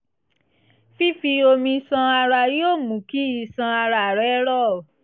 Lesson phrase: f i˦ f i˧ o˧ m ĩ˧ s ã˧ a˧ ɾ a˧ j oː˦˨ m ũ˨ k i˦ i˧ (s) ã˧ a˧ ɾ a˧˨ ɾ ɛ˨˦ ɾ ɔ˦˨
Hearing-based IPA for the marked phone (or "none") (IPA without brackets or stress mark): s